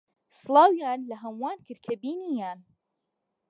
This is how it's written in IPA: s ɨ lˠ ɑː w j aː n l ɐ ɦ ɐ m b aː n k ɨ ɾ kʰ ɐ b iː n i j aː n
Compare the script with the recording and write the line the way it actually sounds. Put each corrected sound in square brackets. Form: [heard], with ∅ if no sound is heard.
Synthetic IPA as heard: s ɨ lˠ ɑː w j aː n l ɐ ɦ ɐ m [w] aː n k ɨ ɾ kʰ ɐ b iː n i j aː n